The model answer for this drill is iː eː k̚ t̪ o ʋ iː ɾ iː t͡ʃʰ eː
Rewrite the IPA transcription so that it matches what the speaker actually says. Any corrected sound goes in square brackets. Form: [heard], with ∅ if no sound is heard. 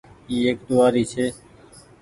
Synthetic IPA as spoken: iː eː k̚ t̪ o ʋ [aː] ɾ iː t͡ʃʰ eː